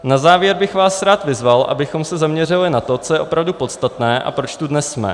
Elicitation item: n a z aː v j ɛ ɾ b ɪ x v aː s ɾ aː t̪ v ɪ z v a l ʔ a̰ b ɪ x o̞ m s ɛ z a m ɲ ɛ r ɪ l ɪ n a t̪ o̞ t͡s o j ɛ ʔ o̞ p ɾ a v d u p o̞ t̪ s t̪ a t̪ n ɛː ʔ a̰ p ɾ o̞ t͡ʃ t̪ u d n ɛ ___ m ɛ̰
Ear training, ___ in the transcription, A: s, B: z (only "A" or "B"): A